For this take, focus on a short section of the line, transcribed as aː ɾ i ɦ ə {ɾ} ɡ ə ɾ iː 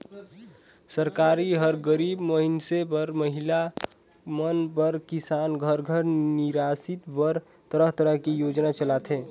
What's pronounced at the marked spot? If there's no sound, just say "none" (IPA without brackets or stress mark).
ɾ